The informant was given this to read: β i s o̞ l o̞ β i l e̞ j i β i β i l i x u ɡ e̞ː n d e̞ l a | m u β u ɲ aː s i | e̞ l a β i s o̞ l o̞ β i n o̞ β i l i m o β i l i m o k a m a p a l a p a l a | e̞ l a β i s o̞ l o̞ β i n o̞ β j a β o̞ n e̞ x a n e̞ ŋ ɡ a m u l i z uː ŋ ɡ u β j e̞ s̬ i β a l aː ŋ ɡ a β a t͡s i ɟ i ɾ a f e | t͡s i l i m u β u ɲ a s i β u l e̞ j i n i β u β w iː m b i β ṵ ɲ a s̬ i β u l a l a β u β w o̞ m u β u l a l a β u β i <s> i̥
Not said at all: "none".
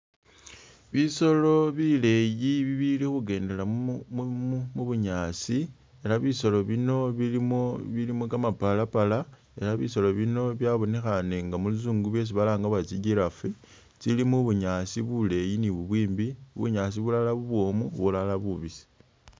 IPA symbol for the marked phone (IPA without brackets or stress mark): s